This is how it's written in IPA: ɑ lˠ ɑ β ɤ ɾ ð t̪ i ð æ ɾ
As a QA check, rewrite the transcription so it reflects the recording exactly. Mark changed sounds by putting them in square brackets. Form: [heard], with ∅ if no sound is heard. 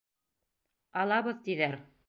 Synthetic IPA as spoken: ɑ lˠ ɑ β ɤ [∅] ð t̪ i ð æ ɾ